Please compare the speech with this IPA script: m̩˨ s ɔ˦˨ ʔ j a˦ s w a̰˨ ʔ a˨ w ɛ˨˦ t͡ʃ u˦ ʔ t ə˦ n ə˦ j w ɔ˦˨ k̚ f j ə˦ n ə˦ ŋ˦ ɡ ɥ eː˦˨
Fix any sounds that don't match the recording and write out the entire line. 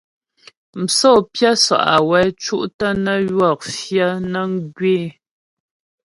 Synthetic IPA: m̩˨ s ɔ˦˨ p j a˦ s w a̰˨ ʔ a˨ w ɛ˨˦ t͡ʃ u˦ ʔ t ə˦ n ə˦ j w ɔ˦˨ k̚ f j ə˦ n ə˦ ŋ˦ ɡ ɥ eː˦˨